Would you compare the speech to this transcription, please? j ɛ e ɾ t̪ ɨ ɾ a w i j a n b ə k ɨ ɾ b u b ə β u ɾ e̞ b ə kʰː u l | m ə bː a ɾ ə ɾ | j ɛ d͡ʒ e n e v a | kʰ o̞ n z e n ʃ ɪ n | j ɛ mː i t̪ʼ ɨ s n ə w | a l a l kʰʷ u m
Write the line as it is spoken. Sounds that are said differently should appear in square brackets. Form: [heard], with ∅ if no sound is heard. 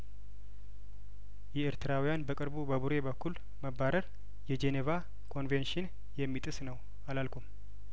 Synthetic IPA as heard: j ɛ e ɾ t̪ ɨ ɾ a w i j a n b ə [kʼ] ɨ ɾ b u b ə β u ɾ e̞ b ə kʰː u l | m ə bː a ɾ ə ɾ | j ɛ d͡ʒ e n e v a | kʰ o̞ n [v] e n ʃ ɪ n | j ɛ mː i t̪ʼ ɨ s n ə w | a l a l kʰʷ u m